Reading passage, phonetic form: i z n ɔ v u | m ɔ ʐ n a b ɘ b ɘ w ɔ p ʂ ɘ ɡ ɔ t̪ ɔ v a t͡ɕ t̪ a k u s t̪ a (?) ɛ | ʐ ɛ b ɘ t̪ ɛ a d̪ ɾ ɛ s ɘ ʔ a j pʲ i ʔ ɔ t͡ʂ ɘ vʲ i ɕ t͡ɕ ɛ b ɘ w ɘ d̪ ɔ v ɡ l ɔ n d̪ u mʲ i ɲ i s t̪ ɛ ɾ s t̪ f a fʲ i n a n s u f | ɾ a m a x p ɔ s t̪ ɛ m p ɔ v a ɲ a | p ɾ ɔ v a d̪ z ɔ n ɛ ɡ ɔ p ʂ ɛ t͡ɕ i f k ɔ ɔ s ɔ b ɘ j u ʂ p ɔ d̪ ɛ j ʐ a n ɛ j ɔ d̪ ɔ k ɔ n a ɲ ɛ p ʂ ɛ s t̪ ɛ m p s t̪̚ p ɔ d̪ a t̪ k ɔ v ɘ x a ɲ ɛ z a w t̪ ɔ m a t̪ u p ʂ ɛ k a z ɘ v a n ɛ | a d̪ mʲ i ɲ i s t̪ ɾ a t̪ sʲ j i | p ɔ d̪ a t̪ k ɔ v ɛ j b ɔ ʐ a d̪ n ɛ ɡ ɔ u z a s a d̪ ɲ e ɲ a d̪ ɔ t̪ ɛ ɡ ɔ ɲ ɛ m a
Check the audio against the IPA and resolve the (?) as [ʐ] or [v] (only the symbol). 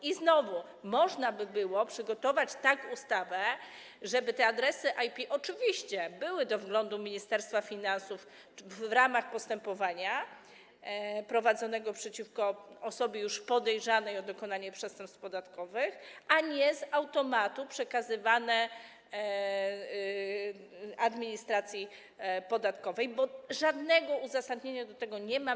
v